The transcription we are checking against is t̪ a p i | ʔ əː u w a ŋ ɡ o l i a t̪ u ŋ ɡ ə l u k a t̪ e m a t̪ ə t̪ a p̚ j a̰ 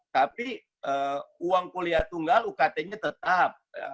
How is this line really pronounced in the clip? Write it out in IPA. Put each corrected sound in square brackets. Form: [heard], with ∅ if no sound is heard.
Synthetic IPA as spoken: t̪ a p i | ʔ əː u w a ŋ [k] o l i a t̪ u ŋ ɡ [a] l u k a t̪ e [ɲ] a t̪ ə t̪ a p̚ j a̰